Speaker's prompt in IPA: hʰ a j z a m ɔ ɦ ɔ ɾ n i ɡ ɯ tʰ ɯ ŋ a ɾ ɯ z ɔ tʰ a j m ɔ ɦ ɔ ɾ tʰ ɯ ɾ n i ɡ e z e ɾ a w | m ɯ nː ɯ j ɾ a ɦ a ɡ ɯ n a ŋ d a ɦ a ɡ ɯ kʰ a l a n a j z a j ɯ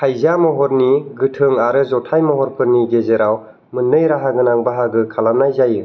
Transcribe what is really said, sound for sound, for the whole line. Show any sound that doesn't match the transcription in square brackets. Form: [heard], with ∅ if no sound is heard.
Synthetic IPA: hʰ a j z a m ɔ ɦ ɔ ɾ n i ɡ ɯ tʰ ɯ ŋ a ɾ ɯ z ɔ tʰ a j m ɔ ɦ ɔ ɾ [pʰ] ɯ ɾ n i ɡ e z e ɾ a w | m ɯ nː ɯ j ɾ a ɦ a ɡ ɯ n a ŋ [b] a ɦ a ɡ ɯ kʰ a l a n a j z a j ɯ